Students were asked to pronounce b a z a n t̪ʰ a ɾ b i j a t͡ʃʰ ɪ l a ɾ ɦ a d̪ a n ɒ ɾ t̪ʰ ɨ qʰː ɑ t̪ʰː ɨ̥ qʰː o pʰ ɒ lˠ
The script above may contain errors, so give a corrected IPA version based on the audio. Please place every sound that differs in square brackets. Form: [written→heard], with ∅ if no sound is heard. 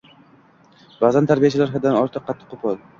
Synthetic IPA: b a z a n t̪ʰ a ɾ b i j a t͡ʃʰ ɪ l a ɾ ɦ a d̪ a n ɒ ɾ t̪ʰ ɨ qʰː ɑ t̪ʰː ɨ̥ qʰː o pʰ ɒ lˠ